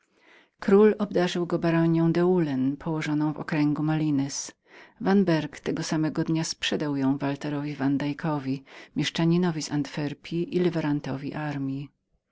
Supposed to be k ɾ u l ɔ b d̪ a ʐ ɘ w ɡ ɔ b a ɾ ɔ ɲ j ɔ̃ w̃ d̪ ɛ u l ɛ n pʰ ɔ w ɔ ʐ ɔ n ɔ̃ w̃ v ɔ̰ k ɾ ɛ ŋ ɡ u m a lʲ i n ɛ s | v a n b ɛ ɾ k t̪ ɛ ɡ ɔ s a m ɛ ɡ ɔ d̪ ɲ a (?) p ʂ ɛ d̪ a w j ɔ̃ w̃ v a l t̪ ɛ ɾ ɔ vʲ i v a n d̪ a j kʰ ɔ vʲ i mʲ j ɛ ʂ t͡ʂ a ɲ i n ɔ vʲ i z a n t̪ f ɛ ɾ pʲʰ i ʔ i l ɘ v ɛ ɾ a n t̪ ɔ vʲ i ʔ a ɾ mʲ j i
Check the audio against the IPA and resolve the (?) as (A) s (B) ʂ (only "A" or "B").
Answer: A